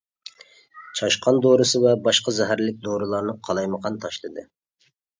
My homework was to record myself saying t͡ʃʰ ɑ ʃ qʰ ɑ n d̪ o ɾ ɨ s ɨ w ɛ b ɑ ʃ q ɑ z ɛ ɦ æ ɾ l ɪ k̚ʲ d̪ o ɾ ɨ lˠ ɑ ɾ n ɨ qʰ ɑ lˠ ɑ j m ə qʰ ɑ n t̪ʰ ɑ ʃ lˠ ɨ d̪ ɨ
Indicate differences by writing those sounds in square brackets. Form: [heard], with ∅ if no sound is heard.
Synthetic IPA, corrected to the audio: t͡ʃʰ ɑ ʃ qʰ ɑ n d̪ o ɾ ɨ s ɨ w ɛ b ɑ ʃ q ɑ z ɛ ɦ æ ɾ l ɪ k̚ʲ d̪ o ɾ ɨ lˠ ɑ ɾ n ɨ qʰ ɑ lˠ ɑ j m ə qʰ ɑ n t̪ʰ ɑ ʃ lˠ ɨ d̪ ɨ